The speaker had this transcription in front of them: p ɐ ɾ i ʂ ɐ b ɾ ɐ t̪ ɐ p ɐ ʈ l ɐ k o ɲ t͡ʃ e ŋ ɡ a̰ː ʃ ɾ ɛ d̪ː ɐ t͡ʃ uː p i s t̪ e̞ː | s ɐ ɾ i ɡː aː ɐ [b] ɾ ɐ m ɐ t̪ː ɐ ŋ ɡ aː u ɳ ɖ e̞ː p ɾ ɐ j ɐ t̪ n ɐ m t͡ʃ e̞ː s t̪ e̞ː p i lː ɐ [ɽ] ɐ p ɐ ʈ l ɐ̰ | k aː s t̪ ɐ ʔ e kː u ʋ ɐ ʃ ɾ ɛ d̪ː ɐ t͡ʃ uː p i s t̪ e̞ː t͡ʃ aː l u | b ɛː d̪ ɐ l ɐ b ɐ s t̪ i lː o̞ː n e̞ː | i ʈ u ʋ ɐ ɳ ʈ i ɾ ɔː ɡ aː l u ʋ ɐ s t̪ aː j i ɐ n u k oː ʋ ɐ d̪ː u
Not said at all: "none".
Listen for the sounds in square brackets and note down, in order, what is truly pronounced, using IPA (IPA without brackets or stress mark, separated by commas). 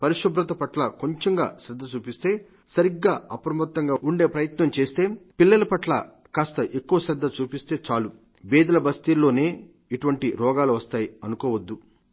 p, l